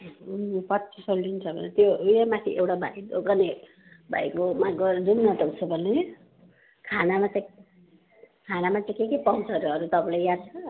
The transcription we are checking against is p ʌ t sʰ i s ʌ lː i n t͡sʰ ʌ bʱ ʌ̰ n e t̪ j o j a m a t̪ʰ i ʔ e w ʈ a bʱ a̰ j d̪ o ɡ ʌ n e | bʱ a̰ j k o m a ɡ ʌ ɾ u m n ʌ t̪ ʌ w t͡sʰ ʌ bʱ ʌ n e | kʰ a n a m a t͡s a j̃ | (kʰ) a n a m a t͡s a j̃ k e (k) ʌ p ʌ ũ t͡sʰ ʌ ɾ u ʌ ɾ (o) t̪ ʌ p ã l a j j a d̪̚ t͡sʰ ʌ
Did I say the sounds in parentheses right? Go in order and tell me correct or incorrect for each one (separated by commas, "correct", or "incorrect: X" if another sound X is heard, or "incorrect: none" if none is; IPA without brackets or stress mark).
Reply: correct, correct, incorrect: u